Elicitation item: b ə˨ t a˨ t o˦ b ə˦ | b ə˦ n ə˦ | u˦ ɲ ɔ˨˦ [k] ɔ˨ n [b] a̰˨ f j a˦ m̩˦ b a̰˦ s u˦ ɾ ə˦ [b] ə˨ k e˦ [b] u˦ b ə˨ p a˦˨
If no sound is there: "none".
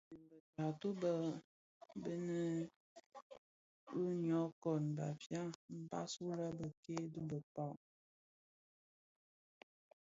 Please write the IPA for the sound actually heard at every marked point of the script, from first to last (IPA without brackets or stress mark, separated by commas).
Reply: k, b, b, d